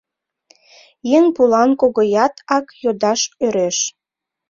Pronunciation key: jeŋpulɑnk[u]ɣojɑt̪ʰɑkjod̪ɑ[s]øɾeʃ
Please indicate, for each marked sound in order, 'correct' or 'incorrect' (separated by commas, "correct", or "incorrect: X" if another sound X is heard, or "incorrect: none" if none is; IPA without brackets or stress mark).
incorrect: o, incorrect: ʃ